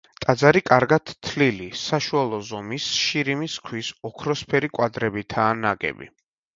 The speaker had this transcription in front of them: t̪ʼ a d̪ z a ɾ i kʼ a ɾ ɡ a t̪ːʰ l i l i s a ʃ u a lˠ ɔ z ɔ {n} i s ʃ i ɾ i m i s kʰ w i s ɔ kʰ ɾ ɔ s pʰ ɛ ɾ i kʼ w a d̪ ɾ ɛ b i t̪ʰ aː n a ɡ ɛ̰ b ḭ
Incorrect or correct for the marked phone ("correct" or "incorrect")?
incorrect